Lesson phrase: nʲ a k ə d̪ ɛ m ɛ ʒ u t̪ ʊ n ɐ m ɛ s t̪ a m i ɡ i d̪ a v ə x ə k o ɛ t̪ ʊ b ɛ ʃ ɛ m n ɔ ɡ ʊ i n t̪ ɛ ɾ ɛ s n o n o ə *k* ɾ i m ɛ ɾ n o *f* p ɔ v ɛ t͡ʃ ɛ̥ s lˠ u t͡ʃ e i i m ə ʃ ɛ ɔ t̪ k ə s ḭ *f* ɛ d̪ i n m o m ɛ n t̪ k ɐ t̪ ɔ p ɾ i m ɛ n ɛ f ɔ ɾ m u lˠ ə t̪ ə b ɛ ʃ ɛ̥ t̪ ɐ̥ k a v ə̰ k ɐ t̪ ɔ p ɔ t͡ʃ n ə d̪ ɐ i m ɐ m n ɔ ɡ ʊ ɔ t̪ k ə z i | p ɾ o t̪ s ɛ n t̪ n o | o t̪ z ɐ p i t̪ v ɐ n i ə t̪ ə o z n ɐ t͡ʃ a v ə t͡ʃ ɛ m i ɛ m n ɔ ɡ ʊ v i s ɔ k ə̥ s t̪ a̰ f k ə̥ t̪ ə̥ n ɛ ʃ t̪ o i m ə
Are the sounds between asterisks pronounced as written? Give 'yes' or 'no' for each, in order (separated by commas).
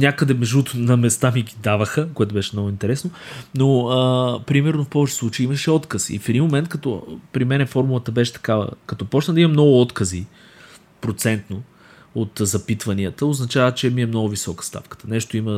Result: no, yes, yes